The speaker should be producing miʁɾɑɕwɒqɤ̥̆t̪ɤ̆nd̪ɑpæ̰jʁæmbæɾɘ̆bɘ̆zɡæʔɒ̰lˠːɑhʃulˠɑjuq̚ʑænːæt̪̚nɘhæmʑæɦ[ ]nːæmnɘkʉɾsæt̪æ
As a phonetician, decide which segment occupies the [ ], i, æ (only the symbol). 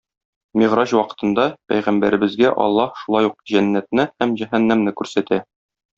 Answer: æ